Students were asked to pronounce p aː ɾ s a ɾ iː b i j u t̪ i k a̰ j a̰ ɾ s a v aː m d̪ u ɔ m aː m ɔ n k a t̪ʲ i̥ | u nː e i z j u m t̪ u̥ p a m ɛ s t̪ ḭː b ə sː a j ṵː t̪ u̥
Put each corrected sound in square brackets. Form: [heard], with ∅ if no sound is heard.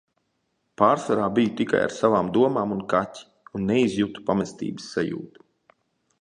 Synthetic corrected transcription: p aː ɾ s a ɾ [aː] b i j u t̪ i k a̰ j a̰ ɾ s a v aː m d̪ u ɔ m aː m [u] n k a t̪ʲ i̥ | u nː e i z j u [∅] t̪ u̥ p a m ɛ s t̪ ḭː b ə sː a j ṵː t̪ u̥